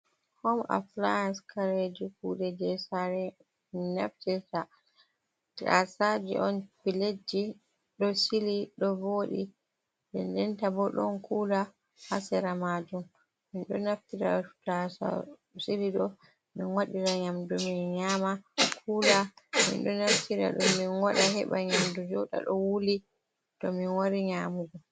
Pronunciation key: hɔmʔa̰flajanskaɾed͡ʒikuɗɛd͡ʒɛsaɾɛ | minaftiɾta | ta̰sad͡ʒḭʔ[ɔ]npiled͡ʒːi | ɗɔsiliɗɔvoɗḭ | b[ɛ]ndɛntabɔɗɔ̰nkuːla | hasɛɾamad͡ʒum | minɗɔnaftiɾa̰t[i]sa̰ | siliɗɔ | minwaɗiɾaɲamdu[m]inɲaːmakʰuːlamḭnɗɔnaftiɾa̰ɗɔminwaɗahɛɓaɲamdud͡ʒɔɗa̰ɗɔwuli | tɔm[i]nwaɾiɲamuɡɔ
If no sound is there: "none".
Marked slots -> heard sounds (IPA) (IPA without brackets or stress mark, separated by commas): ɔ, ɛ, a, m, i